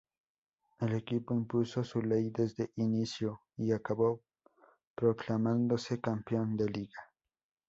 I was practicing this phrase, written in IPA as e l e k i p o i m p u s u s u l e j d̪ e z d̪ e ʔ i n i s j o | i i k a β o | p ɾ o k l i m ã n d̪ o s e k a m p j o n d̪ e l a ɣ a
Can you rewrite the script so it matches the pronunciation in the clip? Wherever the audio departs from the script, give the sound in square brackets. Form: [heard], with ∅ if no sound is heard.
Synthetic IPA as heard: e l e k i p o i m p u s [o] s u l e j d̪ e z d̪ e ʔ i n i s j o | i [a] k a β o | p ɾ o k l [a] m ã n d̪ o s e k a m p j o n d̪ e l [i] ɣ a

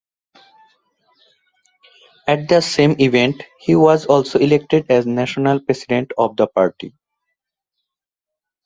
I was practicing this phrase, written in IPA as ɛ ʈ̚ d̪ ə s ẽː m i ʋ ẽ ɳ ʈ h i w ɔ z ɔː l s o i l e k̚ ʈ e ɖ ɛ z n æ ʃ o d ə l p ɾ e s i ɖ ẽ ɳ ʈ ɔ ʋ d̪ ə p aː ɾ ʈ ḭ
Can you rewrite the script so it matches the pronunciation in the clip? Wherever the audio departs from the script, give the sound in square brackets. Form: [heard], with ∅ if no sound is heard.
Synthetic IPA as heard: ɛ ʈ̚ d̪ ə s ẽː m i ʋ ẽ ɳ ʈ h i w ɔ z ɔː l s o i l e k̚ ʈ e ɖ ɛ z n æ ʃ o [n] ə l p ɾ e s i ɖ ẽ ɳ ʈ ɔ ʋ d̪ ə p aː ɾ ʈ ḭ

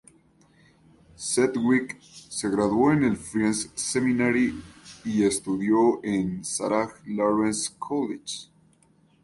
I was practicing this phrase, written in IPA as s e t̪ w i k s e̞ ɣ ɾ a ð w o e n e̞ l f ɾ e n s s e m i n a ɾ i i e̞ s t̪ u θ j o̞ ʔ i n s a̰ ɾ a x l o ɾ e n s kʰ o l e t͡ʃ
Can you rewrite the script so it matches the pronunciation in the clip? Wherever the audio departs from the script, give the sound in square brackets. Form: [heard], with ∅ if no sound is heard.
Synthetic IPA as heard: s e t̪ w i k s e̞ ɣ ɾ a ð w o e n e̞ l f ɾ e n s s e m i n a ɾ i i e̞ s t̪ u [ð] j o̞ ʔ [e] n s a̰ ɾ a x l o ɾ e n s kʰ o l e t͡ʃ

